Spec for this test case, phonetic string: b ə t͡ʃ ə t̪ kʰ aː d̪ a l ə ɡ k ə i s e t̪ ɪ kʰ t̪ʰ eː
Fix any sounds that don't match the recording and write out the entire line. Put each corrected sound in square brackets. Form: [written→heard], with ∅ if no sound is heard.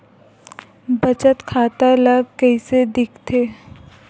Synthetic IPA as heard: b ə t͡ʃ ə t̪ kʰ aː [d̪→t̪] a l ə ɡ k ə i s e [t̪→d̪] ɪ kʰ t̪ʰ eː